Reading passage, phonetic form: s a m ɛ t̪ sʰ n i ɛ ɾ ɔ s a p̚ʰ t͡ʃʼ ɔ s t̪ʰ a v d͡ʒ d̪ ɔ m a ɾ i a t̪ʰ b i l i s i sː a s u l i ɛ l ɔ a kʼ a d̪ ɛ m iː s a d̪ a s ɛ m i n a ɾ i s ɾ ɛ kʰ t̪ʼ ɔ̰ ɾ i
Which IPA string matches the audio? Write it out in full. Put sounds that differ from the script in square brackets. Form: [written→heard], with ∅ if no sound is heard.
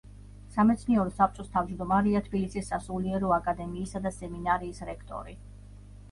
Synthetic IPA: s a m ɛ t̪ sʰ n i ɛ ɾ ɔ s a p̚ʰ t͡ʃʼ ɔ s t̪ʰ a v d͡ʒ d̪ ɔ m a ɾ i a t̪ʰ b i l i s i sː a s u l i ɛ [l→ɾ] ɔ a kʼ a d̪ ɛ m iː s a d̪ a s ɛ m i n a ɾ [i→iː] s ɾ ɛ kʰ t̪ʼ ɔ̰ ɾ i